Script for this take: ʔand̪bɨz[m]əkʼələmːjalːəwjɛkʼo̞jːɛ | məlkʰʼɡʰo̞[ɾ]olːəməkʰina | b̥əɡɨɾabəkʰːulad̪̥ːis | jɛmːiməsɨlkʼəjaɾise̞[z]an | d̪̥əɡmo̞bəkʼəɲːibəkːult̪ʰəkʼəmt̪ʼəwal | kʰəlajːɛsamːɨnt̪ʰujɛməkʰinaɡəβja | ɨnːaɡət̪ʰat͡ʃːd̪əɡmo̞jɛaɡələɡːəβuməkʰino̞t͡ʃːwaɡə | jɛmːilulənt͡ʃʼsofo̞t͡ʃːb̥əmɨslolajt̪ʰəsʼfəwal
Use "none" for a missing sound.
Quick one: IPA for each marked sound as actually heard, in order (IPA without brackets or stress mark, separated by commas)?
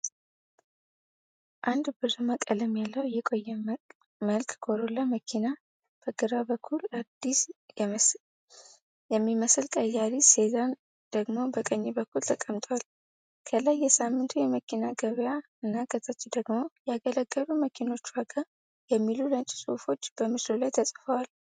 m, ɾ, z